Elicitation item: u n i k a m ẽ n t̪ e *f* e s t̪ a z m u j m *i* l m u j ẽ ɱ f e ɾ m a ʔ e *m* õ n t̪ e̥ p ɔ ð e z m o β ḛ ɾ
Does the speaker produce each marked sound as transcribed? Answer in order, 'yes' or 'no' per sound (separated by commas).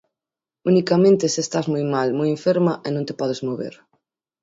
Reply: no, no, no